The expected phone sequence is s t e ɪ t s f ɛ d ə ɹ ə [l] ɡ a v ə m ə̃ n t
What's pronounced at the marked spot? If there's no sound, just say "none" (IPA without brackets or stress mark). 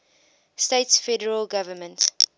l